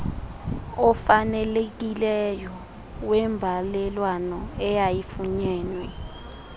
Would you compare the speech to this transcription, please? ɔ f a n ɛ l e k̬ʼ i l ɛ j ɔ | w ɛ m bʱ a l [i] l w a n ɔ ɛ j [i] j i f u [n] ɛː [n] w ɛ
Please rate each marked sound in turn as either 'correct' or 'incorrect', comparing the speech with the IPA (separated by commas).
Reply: incorrect, incorrect, incorrect, correct